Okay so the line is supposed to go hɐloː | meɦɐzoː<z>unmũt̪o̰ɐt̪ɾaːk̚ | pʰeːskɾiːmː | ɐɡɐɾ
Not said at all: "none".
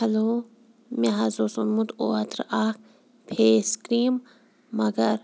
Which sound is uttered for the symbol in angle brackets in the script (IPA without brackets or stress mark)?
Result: s